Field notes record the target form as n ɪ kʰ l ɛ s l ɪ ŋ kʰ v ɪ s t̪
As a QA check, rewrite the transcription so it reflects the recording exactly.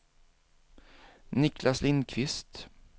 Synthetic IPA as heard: n ɪ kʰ l a s l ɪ n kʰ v ɪ s t̪